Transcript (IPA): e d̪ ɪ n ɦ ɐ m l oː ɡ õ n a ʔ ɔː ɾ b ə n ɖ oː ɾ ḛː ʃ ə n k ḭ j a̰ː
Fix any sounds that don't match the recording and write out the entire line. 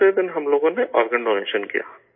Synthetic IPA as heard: e d̪ ɪ n ɦ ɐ m l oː ɡ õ n e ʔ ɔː ɾ ɡ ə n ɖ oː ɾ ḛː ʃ ə n k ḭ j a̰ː